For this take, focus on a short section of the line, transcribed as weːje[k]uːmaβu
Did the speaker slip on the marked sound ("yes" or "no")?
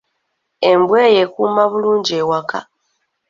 no